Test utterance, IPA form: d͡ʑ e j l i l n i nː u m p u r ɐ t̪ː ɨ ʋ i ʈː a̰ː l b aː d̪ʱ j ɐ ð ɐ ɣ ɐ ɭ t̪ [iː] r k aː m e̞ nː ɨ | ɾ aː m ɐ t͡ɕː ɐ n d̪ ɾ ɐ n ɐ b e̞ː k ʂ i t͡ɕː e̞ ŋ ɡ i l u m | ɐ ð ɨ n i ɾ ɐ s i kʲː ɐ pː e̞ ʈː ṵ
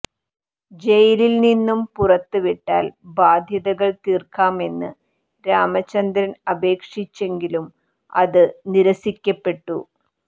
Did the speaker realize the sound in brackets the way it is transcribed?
yes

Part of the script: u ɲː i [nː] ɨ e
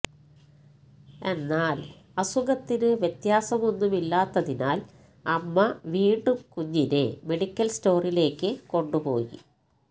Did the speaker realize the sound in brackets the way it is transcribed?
no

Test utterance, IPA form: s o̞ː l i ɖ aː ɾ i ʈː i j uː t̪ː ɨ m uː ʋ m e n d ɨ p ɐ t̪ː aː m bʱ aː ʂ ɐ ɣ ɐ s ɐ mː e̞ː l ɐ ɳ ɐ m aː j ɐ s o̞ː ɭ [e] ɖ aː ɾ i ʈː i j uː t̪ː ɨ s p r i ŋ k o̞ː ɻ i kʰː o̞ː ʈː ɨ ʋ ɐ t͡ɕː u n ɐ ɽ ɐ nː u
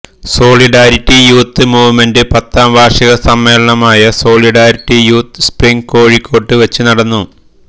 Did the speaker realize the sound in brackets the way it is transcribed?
no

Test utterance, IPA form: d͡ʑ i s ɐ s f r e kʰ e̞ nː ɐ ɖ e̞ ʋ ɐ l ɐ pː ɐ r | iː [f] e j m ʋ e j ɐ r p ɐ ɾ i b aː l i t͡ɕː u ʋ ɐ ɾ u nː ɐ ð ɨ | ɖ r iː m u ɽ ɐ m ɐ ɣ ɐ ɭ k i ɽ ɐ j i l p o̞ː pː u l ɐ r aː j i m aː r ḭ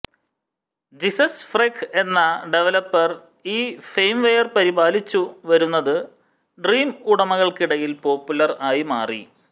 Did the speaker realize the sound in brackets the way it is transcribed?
yes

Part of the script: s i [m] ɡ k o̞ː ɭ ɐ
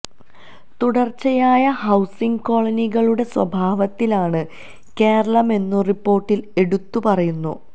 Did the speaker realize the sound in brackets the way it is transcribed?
no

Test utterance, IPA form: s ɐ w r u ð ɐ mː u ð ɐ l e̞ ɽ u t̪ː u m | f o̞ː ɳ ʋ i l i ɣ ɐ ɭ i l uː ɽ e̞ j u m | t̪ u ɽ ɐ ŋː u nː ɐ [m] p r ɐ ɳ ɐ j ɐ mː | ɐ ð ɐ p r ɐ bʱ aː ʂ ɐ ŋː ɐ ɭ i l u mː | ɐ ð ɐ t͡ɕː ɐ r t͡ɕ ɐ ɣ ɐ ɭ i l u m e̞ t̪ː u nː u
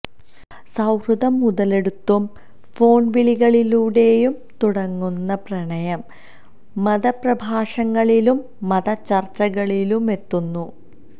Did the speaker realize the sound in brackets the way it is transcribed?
no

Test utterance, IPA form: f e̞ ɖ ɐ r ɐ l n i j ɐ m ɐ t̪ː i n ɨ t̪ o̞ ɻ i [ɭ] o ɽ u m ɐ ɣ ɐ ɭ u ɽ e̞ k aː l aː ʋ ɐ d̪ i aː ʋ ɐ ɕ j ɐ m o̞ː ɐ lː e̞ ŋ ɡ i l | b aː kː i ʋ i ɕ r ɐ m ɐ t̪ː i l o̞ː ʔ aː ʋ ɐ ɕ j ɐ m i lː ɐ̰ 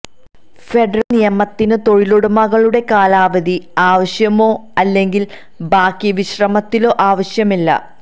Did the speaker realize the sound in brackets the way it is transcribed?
no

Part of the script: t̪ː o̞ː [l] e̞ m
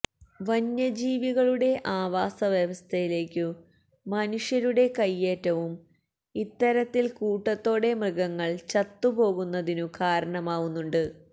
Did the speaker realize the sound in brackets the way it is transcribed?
no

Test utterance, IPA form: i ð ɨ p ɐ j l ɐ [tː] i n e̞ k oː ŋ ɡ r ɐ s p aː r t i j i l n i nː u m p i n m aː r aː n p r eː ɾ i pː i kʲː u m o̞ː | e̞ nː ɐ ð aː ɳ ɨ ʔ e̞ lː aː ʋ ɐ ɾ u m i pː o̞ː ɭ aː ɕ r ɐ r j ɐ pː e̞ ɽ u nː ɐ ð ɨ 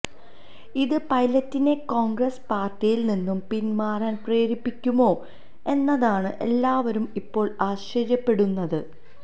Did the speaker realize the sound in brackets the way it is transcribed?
yes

